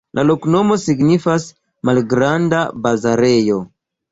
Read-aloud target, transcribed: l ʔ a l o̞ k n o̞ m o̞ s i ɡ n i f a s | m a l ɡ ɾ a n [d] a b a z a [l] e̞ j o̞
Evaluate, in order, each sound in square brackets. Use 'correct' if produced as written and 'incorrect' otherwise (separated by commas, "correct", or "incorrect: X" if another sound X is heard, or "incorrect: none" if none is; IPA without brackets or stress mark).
correct, incorrect: ɾ